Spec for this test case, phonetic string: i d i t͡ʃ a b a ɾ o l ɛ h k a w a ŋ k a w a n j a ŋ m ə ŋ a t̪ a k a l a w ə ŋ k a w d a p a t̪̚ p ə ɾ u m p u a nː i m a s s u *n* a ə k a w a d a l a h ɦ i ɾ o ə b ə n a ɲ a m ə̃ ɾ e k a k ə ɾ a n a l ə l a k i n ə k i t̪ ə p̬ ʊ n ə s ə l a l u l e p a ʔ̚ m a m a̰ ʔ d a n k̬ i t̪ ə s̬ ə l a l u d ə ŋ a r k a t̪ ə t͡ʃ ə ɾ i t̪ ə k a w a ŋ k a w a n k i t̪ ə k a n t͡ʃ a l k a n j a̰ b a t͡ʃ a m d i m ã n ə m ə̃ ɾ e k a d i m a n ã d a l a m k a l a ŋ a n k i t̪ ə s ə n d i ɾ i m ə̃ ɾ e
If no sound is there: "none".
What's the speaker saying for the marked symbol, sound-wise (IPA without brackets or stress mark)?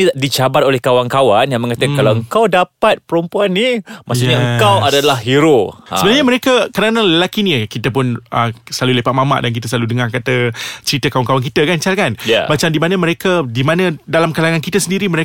ɲ